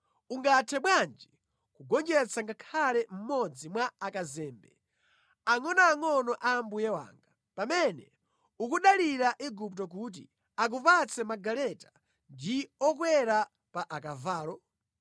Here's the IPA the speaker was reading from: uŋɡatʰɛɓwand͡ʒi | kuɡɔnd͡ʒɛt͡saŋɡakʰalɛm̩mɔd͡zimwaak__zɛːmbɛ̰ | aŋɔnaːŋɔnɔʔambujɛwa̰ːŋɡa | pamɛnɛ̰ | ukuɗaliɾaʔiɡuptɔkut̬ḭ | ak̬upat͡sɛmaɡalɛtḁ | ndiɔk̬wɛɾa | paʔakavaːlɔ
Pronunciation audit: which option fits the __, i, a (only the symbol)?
a